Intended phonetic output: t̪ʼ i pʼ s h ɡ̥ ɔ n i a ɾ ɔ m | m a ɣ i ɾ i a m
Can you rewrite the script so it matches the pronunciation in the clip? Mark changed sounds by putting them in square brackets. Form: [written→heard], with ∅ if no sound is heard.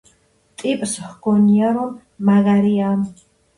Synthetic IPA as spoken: t̪ʼ i pʼ s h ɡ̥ ɔ n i a ɾ ɔ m | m a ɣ [i→a] ɾ i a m